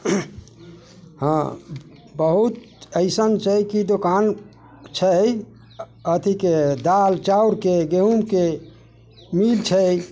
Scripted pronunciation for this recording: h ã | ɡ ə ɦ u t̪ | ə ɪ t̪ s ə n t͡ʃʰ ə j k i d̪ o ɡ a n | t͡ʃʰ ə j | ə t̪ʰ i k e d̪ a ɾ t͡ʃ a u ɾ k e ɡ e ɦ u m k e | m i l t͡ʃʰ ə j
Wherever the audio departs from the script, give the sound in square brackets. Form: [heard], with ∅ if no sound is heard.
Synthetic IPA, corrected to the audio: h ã | [b] ə ɦ u t̪ | ə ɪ [∅] s ə n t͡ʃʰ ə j k i d̪ o [k] a n | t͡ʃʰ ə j | ə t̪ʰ i k e d̪ a [l] t͡ʃ a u ɾ k e ɡ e ɦ u m k e | m i l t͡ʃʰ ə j